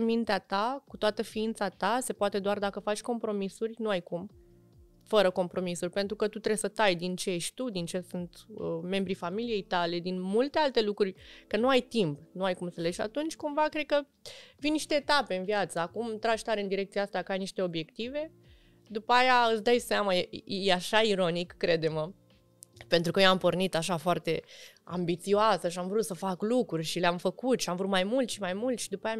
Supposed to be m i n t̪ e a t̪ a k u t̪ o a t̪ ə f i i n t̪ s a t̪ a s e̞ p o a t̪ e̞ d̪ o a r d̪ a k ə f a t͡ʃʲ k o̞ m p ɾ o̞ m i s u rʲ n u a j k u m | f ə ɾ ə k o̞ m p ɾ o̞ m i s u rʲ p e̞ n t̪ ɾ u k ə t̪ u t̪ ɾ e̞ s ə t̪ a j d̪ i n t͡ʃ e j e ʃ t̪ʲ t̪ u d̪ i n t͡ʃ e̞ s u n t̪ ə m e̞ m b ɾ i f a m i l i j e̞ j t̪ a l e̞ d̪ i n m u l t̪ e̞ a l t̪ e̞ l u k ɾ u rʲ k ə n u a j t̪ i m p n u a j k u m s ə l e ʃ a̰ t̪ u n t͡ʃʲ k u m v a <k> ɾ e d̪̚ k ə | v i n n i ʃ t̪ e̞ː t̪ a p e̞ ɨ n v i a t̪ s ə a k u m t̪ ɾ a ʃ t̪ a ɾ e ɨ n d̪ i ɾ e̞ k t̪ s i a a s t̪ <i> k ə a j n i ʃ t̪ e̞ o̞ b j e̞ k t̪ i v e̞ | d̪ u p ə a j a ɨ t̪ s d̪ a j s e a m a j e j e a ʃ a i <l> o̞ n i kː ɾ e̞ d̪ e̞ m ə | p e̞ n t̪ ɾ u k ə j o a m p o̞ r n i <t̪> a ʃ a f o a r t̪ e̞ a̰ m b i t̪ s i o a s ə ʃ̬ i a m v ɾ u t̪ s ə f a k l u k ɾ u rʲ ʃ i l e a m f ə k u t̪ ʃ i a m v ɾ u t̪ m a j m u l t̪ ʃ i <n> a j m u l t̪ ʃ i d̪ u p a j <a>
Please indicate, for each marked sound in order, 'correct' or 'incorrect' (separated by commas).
correct, incorrect, incorrect, correct, incorrect, correct